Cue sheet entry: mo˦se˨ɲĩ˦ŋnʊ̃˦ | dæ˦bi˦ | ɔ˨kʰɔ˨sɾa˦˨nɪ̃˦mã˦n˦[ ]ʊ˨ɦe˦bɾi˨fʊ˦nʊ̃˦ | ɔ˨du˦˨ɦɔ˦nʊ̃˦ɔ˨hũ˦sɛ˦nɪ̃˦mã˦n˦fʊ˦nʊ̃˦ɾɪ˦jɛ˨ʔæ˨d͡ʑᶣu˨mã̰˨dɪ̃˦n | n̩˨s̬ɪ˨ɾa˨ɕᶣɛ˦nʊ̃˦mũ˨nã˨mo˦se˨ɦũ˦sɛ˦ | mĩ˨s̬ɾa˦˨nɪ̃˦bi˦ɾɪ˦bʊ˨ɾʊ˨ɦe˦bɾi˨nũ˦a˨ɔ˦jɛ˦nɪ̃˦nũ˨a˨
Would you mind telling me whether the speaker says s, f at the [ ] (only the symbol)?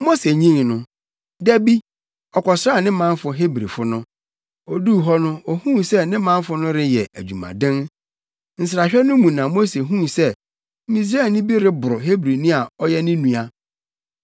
f